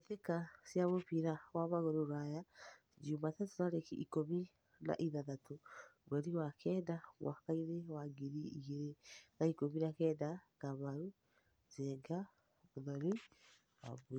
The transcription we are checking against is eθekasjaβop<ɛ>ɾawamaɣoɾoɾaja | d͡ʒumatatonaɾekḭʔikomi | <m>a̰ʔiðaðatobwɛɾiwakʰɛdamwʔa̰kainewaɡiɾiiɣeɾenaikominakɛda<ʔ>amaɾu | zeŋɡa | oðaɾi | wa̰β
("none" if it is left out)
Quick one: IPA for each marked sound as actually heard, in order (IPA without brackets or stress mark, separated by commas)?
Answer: i, n, k